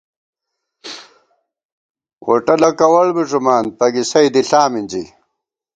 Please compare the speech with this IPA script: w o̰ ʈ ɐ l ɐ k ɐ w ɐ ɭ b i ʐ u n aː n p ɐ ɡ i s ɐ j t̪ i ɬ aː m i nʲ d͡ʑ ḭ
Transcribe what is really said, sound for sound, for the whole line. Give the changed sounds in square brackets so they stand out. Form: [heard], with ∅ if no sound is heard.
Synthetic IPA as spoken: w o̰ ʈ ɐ l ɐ k ɐ w ɐ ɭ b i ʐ u [m] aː n p ɐ ɡ i s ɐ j [d̪] i ɬ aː m i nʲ d͡ʑ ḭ